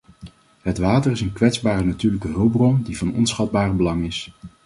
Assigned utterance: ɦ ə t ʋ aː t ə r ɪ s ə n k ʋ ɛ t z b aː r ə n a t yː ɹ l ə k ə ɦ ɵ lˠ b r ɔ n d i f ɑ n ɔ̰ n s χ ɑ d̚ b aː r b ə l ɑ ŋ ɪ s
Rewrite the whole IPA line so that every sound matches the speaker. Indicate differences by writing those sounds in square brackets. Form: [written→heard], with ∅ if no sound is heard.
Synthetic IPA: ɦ ə t ʋ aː t ə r ɪ s ə n k ʋ ɛ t z b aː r ə n a t yː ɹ l ə k ə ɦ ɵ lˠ b r ɔ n d i [f→v] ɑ n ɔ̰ n s χ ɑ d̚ b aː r b ə l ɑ ŋ ɪ s